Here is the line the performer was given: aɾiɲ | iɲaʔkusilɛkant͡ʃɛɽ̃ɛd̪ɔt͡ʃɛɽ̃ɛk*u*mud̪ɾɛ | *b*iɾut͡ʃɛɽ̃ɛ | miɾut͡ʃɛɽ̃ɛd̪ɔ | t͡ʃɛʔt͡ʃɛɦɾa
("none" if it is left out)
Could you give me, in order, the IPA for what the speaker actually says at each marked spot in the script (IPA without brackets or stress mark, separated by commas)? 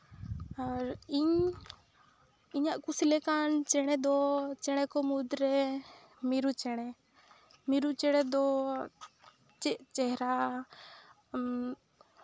ɔ, m